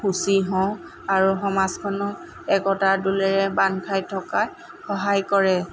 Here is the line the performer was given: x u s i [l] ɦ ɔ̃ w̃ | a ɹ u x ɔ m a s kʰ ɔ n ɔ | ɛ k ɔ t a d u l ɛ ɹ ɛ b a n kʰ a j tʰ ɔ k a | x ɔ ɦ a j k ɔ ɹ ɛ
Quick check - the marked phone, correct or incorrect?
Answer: incorrect